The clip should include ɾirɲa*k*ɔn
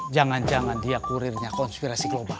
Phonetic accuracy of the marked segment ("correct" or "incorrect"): correct